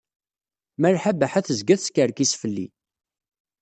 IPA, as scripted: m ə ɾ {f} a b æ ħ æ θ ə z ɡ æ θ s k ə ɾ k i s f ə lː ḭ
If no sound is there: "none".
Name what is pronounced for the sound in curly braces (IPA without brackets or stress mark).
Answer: ħ